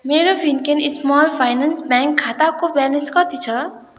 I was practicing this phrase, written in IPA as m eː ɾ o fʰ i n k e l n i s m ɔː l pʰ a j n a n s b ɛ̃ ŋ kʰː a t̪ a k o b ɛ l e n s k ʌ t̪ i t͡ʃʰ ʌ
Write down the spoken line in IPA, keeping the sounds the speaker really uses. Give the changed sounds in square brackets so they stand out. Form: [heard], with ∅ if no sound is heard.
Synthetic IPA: m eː ɾ o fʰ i n k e [∅] n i s m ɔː l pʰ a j n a n s b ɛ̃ ŋ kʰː a t̪ a k o b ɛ l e n s k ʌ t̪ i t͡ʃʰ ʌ